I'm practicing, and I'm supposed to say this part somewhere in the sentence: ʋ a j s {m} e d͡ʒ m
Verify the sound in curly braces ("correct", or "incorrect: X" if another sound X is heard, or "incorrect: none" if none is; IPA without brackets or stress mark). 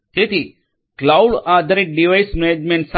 correct